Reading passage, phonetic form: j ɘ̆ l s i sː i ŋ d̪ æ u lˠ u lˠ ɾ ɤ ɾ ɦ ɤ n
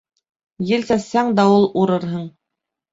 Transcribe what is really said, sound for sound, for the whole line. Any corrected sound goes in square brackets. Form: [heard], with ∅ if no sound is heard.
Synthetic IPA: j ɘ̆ l s [æ] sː [æ] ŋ d̪ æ u lˠ u [∅] ɾ ɤ ɾ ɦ ɤ [ɴ]